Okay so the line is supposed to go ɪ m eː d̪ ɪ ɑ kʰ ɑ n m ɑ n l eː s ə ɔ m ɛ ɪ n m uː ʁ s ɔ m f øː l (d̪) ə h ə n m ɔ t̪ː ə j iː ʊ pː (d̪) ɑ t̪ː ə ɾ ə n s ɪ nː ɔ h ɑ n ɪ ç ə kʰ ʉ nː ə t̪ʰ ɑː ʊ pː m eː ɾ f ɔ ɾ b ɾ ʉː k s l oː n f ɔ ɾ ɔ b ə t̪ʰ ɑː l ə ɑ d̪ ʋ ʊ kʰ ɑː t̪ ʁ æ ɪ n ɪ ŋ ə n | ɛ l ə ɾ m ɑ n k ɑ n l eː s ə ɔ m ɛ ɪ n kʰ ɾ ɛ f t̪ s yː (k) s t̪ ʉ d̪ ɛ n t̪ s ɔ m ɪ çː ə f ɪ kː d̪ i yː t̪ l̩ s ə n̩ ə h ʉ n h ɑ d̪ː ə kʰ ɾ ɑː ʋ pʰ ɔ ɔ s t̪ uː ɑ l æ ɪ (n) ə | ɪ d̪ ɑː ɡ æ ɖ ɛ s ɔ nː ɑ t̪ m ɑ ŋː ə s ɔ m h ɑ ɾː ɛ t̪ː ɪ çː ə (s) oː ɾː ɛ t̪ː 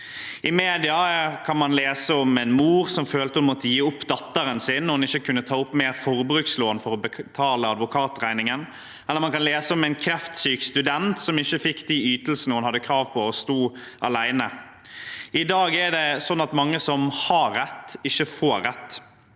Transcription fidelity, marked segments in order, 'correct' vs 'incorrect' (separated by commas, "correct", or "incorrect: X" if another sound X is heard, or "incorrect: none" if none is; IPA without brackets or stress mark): incorrect: t̪, correct, correct, correct, incorrect: f